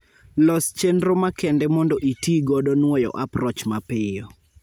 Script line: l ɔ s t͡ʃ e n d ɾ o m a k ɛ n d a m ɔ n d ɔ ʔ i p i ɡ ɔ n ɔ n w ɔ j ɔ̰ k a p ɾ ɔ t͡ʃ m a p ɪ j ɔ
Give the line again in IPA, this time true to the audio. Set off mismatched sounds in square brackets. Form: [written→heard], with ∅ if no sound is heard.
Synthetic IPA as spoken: l ɔ s t͡ʃ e n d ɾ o m a k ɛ n d [a→ɛ] m ɔ n d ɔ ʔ i [p→t] i ɡ ɔ [n→d] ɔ n w ɔ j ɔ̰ [k→ʔ] a p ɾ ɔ t͡ʃ m a p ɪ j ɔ